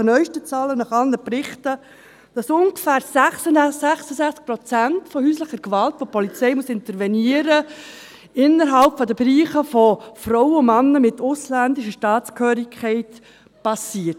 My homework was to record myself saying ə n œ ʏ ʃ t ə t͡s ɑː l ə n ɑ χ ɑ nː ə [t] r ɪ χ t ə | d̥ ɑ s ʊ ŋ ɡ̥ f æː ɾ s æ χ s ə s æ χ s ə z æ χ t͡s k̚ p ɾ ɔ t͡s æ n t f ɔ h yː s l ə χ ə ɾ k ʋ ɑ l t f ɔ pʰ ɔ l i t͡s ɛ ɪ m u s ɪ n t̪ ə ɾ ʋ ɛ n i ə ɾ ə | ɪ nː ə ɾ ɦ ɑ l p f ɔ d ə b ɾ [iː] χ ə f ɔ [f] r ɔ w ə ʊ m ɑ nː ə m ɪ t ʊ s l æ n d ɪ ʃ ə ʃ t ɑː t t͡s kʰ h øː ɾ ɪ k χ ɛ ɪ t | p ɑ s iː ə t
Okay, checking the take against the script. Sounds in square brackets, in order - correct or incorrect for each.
incorrect, correct, correct

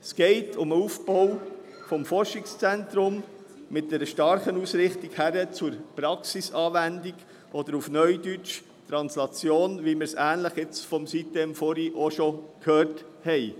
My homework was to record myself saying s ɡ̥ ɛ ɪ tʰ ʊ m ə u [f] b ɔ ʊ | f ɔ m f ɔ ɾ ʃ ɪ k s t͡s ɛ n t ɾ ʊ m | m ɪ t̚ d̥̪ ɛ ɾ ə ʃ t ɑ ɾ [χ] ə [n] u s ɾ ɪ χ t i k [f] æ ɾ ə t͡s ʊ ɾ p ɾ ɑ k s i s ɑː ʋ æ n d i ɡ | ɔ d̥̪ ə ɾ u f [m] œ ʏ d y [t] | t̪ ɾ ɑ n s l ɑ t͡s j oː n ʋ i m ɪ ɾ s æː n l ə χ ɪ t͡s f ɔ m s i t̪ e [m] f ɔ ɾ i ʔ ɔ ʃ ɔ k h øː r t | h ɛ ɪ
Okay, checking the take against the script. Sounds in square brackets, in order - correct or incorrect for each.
correct, correct, correct, incorrect, incorrect, incorrect, correct

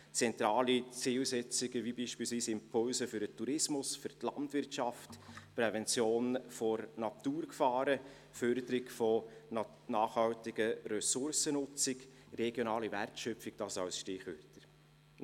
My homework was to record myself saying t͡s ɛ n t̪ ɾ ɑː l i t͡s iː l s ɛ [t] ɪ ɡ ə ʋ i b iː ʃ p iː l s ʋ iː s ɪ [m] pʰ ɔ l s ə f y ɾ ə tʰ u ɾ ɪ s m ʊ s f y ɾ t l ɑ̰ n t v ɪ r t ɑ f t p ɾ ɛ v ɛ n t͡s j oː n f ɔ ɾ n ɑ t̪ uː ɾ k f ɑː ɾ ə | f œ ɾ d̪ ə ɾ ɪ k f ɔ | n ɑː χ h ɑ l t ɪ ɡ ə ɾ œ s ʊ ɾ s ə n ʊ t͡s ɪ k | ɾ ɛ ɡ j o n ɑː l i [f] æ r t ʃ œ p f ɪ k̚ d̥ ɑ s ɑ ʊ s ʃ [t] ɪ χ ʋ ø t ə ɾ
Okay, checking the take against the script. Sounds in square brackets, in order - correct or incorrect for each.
incorrect, correct, incorrect, correct

